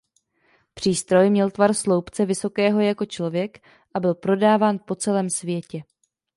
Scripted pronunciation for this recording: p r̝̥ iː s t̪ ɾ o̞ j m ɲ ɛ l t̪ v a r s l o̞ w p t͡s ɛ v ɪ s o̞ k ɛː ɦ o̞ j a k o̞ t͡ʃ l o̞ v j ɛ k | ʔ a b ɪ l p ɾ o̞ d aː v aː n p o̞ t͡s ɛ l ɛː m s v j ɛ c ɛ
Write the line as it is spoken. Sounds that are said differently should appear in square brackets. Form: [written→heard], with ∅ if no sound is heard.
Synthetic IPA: p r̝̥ iː s t̪ ɾ o̞ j m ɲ ɛ l t̪ v a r s l o̞ w p t͡s ɛ v ɪ s o̞ k ɛː ɦ o̞ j a k o̞ t͡ʃ l o̞ v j ɛ k | ʔ a b ɪ l p ɾ o̞ d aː v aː n p o̞ t͡s ɛ l ɛː m s v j ɛ c ɛ